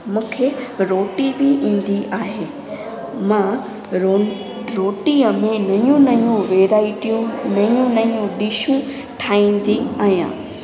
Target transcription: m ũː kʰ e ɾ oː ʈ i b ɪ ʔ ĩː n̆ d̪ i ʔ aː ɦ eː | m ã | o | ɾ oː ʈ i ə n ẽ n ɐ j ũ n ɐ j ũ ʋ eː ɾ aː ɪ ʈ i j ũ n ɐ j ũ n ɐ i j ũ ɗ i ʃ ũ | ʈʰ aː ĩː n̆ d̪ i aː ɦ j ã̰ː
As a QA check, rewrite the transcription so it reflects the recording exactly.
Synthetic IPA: m ũː kʰ e ɾ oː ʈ i b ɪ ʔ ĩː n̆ d̪ i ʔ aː ɦ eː | m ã | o | ɾ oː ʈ i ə m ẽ n ɐ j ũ n ɐ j ũ ʋ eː ɾ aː ɪ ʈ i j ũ n ɐ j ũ n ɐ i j ũ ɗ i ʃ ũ | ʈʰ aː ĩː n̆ d̪ i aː ɦ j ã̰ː